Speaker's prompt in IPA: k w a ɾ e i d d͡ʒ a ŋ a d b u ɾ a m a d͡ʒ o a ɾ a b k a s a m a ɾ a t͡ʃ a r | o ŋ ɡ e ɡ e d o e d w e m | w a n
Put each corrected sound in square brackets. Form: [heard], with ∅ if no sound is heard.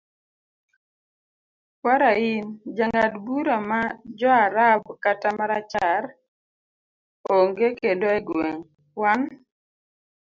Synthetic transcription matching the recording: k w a ɾ [a] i [n] d͡ʒ a ŋ a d b u ɾ a m a d͡ʒ [ɔ] a ɾ a b k a [t] a m a ɾ a t͡ʃ a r | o ŋ ɡ e [k] e d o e [ɡ] w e [ŋ] | w a n